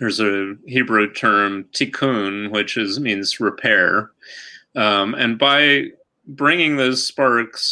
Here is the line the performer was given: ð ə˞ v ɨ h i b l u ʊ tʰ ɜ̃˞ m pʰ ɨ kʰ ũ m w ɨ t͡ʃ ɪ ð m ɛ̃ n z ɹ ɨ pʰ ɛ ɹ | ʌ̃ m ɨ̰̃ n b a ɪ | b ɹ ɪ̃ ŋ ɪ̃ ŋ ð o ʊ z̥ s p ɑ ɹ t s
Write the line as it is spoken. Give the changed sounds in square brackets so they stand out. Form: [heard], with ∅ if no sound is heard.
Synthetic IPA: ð ə˞ [z] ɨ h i b [ɹ] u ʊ tʰ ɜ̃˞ m [tʰ] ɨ kʰ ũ [n] w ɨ t͡ʃ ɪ [z] m [ĩ] n z ɹ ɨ pʰ ɛ ɹ | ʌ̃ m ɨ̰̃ n b a ɪ | b ɹ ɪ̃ ŋ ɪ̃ ŋ ð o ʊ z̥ s p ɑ ɹ [k] s